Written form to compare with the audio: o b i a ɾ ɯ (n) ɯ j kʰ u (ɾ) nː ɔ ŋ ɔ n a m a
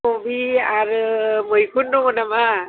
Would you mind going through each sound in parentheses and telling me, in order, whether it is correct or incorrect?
incorrect, incorrect

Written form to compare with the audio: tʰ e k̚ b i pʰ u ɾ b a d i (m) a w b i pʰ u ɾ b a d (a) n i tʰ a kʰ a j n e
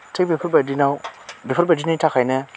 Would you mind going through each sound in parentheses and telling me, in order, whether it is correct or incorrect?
incorrect, incorrect

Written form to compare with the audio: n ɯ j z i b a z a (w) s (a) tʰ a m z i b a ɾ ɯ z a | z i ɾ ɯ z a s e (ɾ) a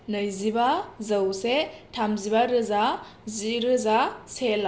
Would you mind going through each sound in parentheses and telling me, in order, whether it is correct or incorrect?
correct, incorrect, incorrect

